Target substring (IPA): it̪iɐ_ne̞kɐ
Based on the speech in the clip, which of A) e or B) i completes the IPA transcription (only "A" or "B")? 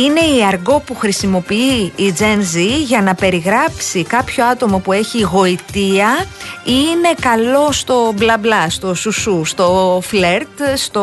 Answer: B